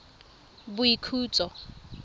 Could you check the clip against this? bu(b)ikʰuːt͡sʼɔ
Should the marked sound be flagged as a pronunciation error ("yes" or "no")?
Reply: yes